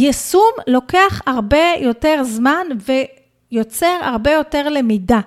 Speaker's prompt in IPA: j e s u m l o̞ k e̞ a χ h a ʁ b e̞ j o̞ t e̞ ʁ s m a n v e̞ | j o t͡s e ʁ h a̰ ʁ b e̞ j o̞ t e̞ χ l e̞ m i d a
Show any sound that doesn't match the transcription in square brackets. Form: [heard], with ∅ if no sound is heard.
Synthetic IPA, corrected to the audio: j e s u m l o̞ k e̞ a χ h a ʁ b e̞ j o̞ t e̞ ʁ [z] m a n v e̞ | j o t͡s e ʁ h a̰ ʁ b e̞ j o̞ t e̞ [ʁ] l e̞ m i d a